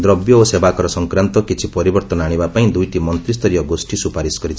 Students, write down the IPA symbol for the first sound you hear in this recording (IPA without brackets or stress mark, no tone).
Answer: d̪